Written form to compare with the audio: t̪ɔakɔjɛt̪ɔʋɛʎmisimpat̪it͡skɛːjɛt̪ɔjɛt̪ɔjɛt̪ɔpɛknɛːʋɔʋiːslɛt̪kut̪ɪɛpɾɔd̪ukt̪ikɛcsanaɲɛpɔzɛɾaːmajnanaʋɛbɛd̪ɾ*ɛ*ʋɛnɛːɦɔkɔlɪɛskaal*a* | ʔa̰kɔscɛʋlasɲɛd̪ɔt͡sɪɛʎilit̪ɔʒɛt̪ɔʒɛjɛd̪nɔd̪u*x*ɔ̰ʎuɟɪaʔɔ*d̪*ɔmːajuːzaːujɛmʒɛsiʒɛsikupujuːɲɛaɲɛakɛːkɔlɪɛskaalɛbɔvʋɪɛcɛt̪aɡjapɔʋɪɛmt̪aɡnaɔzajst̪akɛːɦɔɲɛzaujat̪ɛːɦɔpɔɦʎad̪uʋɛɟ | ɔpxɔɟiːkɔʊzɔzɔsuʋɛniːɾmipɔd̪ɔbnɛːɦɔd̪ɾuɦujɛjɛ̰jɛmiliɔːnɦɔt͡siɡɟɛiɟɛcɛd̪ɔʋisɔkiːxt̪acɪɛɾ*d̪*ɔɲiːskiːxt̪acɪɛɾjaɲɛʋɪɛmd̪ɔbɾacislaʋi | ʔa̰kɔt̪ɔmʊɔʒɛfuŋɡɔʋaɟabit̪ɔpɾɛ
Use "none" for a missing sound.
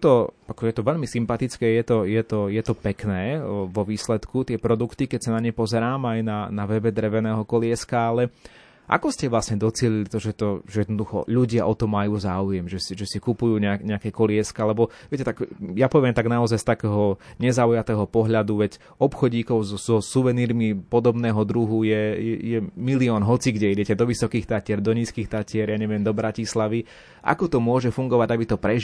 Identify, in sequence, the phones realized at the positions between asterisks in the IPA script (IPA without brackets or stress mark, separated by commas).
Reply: ɛ, ɛ, x, t̪, d̪